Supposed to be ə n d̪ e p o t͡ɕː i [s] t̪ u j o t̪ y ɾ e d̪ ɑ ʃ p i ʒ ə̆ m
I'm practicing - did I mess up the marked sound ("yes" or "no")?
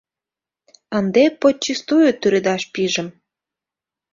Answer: no